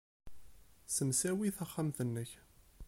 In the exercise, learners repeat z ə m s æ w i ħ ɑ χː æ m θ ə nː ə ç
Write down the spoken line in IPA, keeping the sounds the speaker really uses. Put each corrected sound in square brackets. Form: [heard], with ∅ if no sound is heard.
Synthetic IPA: [s] ə m s æ w i [θ] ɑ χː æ m θ ə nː ə ç